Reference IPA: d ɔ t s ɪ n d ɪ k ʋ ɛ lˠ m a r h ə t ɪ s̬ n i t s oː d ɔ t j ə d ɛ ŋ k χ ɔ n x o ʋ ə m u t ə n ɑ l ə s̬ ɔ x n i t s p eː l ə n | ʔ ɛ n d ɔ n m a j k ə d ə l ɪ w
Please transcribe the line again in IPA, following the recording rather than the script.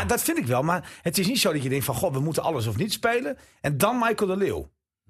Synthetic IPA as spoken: d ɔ t f ɪ n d ɪ k ʋ ɛ lˠ m a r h ə t ɪ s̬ n i t s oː d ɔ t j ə d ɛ ŋ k f ɔ n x o ʋ ə m u t ə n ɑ l ə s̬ ɔ f n i t s p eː l ə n | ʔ ɛ n d ɔ n m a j k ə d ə l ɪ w